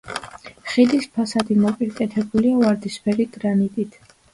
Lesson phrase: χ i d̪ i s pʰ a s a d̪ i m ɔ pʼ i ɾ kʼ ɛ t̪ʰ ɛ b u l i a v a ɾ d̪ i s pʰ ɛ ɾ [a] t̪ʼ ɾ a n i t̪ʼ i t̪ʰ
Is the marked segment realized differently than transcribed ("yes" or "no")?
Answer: yes